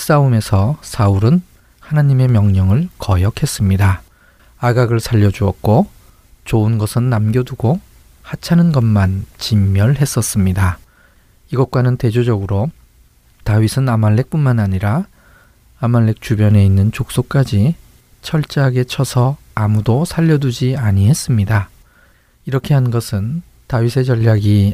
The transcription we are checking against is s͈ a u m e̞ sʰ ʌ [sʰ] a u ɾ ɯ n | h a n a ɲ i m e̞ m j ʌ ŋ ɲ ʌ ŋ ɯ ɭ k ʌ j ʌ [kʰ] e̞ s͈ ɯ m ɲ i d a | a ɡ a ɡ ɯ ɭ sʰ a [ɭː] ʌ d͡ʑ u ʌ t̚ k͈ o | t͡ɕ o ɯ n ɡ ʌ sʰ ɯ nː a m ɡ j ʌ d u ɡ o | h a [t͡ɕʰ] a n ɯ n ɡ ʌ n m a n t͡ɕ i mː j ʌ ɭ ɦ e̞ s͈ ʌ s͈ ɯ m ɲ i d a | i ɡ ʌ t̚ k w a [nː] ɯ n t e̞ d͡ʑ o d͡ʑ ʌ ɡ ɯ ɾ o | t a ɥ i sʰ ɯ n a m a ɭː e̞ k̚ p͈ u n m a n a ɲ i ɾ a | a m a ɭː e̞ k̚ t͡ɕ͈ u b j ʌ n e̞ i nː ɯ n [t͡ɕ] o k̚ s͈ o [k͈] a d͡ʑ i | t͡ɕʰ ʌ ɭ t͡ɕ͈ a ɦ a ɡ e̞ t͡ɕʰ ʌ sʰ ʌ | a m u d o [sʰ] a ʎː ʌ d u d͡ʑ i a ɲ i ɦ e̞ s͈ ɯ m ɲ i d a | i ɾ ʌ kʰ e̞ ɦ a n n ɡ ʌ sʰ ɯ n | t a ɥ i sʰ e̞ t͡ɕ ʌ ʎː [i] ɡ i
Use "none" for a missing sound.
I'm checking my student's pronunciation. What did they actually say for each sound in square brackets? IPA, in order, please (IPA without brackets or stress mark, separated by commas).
sʰ, kʰ, ʎː, t͡ɕʰ, n, t͡ɕ, k͈, sʰ, a